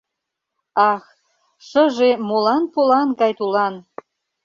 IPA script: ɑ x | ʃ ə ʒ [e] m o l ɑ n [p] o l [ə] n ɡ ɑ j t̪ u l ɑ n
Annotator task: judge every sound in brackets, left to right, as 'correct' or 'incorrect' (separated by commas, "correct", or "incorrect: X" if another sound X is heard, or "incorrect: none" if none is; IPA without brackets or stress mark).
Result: correct, correct, incorrect: ɑ